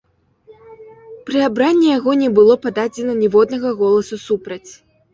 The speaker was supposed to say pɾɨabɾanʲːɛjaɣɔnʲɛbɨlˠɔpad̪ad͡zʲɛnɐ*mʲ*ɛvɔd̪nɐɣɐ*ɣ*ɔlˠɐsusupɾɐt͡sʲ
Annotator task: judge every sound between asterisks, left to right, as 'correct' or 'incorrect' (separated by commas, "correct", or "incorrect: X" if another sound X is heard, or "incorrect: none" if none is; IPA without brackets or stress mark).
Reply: incorrect: nʲ, correct